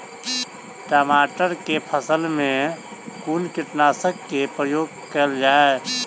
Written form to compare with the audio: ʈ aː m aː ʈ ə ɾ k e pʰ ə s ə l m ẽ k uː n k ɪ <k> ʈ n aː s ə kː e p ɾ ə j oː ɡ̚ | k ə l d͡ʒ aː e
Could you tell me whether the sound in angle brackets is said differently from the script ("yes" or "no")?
yes